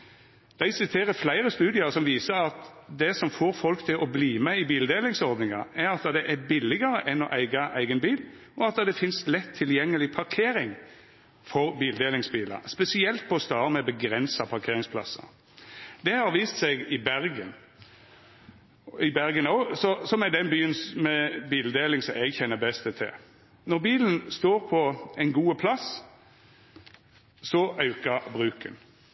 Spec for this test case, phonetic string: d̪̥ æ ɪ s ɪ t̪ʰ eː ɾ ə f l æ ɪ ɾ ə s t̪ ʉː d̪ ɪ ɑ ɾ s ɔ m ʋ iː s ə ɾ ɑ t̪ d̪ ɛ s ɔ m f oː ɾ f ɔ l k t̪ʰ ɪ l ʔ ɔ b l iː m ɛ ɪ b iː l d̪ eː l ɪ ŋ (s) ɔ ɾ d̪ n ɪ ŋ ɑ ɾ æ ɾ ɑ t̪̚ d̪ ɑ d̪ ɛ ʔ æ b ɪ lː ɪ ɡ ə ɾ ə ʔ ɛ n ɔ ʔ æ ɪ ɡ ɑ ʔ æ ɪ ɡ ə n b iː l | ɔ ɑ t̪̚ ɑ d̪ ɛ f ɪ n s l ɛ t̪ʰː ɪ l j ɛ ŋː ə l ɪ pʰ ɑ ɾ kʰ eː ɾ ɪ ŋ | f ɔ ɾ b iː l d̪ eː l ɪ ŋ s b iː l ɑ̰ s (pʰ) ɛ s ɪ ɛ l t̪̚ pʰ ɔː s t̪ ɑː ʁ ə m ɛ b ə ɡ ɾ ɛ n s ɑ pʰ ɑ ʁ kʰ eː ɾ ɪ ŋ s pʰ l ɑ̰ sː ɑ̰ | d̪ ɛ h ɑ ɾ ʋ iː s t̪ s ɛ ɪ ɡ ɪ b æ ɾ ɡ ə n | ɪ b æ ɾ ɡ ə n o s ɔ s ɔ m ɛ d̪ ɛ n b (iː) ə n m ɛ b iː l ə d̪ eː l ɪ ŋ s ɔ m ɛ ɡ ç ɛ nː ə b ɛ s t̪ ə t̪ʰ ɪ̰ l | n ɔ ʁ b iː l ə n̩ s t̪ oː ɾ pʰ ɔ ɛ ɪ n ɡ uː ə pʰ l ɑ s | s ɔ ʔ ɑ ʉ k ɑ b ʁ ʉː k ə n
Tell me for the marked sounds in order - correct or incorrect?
correct, incorrect: p, incorrect: yː

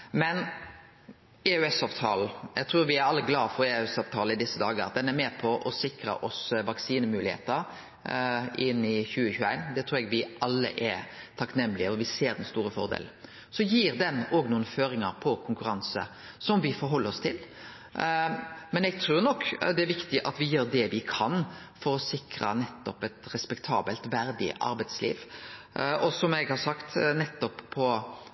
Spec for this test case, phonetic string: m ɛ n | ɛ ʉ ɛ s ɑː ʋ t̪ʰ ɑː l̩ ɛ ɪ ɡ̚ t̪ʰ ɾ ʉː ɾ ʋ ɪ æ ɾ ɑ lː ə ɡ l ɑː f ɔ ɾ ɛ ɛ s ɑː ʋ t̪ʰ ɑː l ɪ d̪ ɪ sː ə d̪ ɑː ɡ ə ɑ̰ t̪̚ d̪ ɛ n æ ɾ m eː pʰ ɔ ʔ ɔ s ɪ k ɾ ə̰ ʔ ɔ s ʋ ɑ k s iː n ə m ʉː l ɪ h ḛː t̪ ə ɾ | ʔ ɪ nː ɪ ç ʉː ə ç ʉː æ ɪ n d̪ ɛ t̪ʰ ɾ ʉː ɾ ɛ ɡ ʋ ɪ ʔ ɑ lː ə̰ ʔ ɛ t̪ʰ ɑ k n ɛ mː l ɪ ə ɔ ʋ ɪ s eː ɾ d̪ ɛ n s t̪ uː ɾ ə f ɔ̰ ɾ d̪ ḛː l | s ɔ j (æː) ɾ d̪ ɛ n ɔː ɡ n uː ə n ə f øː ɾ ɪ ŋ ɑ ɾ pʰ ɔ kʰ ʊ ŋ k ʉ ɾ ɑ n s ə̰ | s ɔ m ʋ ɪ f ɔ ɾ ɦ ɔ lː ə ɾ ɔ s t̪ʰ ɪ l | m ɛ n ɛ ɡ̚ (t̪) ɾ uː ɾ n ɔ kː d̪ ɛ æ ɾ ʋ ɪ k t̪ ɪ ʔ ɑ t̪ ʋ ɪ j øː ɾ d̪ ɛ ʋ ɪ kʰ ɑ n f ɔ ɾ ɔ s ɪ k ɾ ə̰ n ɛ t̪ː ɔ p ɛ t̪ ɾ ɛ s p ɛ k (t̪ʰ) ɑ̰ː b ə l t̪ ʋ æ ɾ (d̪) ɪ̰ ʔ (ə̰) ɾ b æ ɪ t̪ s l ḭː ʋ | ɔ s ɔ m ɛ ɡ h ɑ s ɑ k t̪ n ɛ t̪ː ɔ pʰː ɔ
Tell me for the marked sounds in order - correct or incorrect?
incorrect: iː, incorrect: t̪ʰ, correct, correct, incorrect: ɑ̰

